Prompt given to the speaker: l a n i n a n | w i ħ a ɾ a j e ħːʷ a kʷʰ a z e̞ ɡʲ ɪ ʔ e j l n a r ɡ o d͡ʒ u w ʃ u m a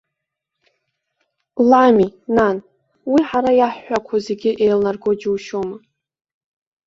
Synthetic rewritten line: l a m i n a n | w i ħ a ɾ a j a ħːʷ a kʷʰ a z e̞ ɡʲ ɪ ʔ e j l n a r ɡ o d͡ʒ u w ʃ o m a